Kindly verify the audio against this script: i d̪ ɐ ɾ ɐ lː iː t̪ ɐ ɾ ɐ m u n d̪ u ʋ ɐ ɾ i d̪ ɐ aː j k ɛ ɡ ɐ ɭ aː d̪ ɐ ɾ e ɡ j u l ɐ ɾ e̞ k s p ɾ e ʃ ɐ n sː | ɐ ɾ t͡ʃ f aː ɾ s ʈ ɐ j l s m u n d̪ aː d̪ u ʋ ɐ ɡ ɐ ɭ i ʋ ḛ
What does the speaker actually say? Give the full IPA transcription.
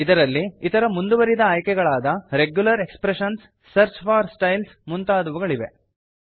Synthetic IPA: i d̪ ɐ ɾ ɐ lː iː t̪ ɐ ɾ ɐ m u n d̪ u ʋ ɐ ɾ i d̪ ɐ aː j k ɛ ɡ ɐ ɭ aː d̪ ɐ ɾ e ɡ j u l ɐ ɾ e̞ k s p ɾ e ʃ ɐ n sː | ɐ ɾ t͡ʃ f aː ɾ s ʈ ɐ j l s m u n t̪ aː d̪ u ʋ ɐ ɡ ɐ ɭ i ʋ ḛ